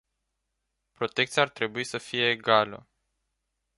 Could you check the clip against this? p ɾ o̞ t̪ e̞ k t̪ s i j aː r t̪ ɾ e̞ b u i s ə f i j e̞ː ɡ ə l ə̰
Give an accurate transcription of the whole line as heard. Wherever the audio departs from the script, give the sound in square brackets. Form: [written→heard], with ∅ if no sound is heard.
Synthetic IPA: p ɾ o̞ t̪ e̞ k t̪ s i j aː r t̪ ɾ e̞ b u i s ə f i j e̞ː ɡ [ə→a] l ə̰